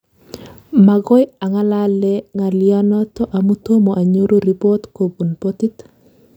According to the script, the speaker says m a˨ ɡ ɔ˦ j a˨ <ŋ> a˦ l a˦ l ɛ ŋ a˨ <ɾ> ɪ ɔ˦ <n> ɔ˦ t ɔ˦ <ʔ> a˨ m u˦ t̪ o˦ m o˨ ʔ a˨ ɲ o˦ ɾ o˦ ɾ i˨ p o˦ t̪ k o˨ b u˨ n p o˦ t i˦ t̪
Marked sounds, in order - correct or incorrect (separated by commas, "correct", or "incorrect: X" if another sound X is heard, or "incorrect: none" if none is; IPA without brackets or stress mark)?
correct, incorrect: l, correct, correct